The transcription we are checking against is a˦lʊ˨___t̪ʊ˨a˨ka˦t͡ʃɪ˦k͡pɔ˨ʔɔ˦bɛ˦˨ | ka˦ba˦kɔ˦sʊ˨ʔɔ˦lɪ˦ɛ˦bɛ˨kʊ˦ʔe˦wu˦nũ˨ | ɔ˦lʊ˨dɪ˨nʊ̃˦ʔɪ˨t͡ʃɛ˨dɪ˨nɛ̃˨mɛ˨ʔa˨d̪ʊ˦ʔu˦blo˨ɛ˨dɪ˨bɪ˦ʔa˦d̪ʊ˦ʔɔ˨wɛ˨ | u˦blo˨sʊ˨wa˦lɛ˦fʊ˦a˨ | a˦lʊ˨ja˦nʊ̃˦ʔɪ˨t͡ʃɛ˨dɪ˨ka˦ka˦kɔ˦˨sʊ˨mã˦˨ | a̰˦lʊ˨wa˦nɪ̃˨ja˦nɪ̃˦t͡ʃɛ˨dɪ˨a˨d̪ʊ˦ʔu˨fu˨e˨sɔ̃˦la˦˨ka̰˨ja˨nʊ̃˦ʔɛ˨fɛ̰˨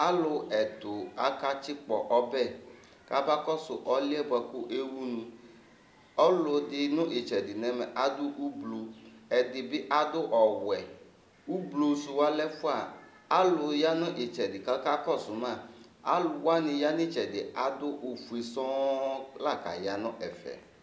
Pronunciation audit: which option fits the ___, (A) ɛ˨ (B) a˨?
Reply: A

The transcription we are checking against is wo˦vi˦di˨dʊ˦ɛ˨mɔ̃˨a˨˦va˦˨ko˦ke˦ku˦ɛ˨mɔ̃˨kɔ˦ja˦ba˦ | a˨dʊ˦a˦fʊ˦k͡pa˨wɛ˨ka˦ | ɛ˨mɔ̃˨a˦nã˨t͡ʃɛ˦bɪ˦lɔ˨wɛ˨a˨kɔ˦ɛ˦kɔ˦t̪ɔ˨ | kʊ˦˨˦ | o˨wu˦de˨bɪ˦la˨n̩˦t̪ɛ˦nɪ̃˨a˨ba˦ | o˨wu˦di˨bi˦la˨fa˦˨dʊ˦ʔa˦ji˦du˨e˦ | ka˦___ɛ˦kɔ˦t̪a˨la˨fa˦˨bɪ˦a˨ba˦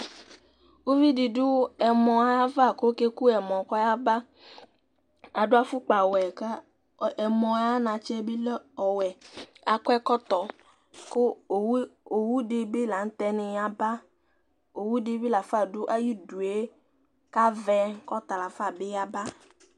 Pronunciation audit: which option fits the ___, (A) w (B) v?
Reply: B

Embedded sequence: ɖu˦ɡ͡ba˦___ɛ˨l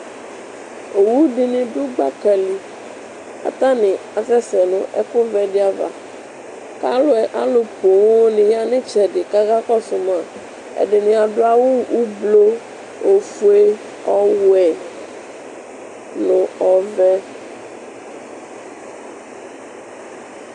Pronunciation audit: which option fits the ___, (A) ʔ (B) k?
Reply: B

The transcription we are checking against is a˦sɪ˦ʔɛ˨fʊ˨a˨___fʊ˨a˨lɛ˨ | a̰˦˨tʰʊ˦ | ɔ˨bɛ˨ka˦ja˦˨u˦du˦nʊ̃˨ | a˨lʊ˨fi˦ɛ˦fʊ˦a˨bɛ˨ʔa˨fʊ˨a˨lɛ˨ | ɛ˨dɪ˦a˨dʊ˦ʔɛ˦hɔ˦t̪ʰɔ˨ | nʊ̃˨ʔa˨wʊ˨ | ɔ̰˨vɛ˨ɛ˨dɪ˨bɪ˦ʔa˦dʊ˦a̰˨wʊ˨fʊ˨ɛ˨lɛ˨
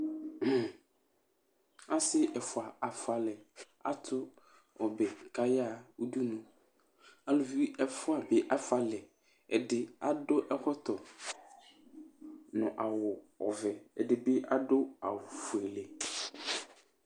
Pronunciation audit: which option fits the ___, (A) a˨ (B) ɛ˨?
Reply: A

